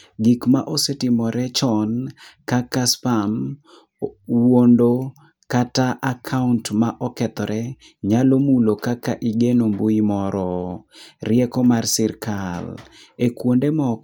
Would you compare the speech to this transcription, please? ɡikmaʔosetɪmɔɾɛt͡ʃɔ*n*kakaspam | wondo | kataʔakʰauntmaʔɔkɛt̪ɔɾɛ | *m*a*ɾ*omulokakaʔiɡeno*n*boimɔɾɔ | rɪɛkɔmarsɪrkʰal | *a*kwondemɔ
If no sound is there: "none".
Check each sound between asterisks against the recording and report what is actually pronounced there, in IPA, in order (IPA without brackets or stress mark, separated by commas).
n, ɲ, l, m, e